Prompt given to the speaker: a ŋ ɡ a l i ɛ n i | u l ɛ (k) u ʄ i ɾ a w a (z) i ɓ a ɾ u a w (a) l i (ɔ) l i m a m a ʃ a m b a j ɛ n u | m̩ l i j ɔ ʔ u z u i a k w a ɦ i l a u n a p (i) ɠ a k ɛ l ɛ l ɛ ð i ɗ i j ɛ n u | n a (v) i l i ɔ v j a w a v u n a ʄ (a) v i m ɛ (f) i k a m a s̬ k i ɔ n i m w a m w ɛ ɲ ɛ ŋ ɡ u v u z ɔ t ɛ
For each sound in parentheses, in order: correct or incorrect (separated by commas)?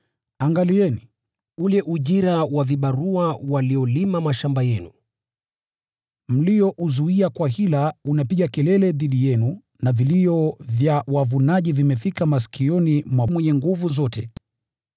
incorrect, incorrect, correct, correct, correct, correct, incorrect, correct